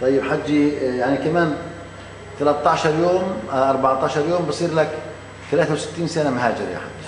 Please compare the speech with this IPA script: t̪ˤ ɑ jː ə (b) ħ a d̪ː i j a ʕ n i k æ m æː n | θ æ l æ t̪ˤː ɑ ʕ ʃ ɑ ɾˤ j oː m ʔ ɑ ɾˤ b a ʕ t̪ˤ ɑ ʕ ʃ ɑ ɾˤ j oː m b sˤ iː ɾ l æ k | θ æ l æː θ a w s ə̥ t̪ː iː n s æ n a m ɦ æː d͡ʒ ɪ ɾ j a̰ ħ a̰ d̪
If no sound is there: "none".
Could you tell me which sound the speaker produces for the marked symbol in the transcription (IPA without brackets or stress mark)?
b